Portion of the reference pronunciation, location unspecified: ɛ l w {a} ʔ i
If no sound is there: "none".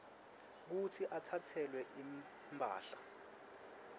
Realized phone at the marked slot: ɛ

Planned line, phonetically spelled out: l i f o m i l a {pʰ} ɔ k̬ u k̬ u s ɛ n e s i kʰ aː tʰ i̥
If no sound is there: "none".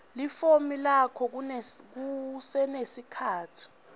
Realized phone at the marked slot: kʰ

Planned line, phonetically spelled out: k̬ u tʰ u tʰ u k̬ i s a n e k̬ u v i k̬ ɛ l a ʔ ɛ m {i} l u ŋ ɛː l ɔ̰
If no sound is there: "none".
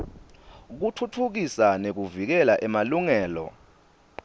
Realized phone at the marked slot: a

